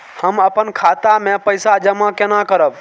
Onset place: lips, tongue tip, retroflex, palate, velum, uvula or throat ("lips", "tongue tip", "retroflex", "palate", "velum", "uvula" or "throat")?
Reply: throat